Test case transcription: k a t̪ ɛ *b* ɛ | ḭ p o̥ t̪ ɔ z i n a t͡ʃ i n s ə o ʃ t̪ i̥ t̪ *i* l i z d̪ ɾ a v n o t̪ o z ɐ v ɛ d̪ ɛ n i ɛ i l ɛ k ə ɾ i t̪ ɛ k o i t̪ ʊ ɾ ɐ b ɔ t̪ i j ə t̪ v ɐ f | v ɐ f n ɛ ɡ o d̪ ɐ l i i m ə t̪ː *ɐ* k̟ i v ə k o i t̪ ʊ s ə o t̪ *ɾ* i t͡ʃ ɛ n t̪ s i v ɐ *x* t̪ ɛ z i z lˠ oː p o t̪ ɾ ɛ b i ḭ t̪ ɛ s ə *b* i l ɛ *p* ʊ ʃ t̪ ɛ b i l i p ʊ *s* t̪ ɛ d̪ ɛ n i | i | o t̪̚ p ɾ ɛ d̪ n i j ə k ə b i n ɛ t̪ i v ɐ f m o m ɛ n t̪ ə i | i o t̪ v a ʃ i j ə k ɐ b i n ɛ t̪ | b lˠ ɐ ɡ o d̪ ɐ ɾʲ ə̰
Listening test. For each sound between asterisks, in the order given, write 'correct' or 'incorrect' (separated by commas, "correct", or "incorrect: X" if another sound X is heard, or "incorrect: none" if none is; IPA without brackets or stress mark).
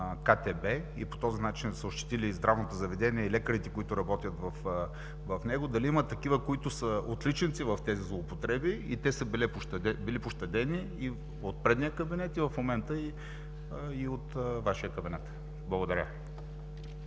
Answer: correct, correct, correct, incorrect: l, incorrect: f, correct, correct, incorrect: ʃ